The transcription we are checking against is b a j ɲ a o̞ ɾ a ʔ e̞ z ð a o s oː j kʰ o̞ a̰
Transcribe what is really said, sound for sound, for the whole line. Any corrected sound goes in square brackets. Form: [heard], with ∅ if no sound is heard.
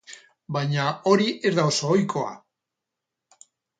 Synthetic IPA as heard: b a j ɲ a o̞ ɾ [i] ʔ e̞ z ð a o s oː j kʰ o̞ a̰

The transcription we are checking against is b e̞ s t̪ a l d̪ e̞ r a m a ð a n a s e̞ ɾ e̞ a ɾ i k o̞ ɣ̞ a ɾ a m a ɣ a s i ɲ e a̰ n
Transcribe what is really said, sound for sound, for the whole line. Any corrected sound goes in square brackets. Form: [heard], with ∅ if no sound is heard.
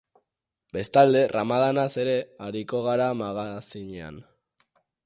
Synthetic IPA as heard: b e̞ s t̪ a l d̪ e̞ r a m a ð a n a s e̞ ɾ e̞ a ɾ i k o̞ ɣ̞ a ɾ a m a ɣ a s i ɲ e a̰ n

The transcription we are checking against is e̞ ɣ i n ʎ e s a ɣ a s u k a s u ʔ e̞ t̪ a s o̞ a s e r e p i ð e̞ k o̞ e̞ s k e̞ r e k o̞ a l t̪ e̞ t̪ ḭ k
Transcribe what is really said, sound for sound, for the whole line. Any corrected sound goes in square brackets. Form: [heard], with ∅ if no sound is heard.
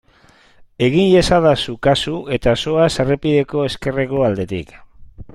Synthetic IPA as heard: e̞ ɣ i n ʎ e s a [ð] a s u k a s u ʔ e̞ t̪ a s o̞ a s e r e p i ð e̞ k o̞ e̞ s k e̞ r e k o̞ a l [d̪] e̞ t̪ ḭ k

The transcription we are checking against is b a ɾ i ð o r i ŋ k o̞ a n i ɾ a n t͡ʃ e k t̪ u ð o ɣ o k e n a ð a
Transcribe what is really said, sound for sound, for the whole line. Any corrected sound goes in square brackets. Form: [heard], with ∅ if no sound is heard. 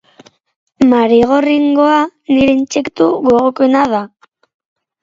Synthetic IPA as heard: [m] a ɾ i [ɣ] o r i ŋ [ɡ] o̞ a n i ɾ [e] n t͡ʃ e k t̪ u [ɣ] o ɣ o k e n a ð a

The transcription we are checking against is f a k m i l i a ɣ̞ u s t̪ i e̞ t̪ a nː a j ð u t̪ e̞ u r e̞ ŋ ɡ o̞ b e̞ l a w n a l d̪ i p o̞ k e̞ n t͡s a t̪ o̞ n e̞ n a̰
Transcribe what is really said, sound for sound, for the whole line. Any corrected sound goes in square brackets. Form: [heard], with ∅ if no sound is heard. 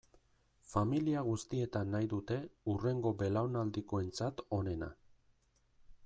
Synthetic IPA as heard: f a [∅] m i l i a ɣ̞ u s t̪ i e̞ t̪ a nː a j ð u t̪ e̞ u r e̞ ŋ ɡ o̞ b e̞ l a w n a l d̪ i [k] o̞ [∅] e̞ n t͡s a t̪ o̞ n e̞ n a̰

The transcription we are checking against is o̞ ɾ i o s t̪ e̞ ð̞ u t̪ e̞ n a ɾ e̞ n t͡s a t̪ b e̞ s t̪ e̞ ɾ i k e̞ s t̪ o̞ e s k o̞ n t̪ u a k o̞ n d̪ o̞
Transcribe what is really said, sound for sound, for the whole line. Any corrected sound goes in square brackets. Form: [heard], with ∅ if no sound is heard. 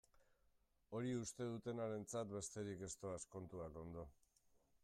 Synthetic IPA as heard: o̞ ɾ i [u] s t̪ e̞ ð̞ u t̪ e̞ n a ɾ e̞ n t͡s a t̪ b e̞ s t̪ e̞ ɾ i k e̞ s t̪ o̞ [a] s k o̞ n t̪ u a k o̞ n d̪ o̞

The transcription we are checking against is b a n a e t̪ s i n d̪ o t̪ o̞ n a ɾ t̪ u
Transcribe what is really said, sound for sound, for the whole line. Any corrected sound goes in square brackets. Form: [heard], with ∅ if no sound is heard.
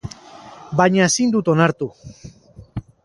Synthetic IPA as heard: b a [ɲ] a e [∅] s i n d̪ [u] t̪ o̞ n a ɾ t̪ u

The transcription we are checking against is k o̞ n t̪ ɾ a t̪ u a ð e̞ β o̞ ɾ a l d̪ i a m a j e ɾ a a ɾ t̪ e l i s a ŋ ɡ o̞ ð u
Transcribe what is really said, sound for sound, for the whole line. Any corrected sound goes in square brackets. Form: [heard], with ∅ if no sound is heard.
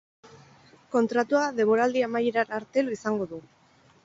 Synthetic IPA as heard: k o̞ n t̪ ɾ a t̪ u a ð e̞ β o̞ ɾ a l d̪ i a m a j e ɾ a a ɾ t̪ e l i s a ŋ ɡ o̞ ð u

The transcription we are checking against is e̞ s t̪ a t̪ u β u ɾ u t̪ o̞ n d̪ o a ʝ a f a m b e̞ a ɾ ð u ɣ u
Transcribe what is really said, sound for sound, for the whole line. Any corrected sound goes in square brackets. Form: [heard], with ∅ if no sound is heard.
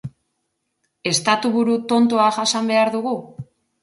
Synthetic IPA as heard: e̞ s t̪ a t̪ u β u ɾ u t̪ o̞ n [t̪] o a ʝ a [s] a m b e̞ a ɾ ð u ɣ u

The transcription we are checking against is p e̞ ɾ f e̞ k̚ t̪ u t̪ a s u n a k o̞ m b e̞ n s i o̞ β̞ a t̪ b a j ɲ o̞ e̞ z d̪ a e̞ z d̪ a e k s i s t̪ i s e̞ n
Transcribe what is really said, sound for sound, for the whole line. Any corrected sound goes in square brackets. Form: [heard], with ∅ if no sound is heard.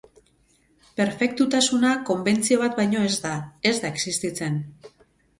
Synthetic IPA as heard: p e̞ ɾ f e̞ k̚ t̪ u t̪ a s u n a k o̞ m b e̞ n [t͡s] i o̞ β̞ a t̪ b a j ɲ o̞ e̞ z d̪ a e̞ z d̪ a e k s i s t̪ i [t͡s] e̞ n

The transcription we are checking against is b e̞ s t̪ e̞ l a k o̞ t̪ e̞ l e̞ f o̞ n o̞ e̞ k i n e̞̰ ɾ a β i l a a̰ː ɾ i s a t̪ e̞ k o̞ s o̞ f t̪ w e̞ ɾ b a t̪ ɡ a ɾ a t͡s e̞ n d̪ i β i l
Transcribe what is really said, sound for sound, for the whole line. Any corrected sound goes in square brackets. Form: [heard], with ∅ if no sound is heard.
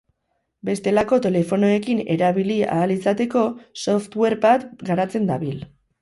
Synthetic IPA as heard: b e̞ s t̪ e̞ l a k o̞ t̪ e̞ l e̞ f o̞ n o̞ e̞ k i n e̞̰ ɾ a β i l [i] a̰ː [l] i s a t̪ e̞ k o̞ s o̞ f t̪ w e̞ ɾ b a t̪ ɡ a ɾ a t͡s e̞ n d̪ [a] β i l

